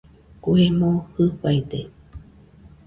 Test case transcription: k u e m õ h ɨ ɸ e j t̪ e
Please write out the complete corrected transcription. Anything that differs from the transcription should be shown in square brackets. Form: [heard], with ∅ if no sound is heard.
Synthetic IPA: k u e m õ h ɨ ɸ [a] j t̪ e